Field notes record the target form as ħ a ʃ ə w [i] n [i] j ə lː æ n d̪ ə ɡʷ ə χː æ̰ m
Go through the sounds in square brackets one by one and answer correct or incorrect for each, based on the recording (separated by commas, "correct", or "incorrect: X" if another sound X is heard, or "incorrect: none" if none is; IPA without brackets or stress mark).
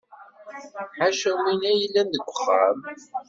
correct, incorrect: æ